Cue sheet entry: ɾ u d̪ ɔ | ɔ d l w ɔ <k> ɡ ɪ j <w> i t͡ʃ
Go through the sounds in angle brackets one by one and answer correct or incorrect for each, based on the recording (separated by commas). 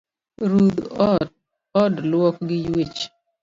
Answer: correct, correct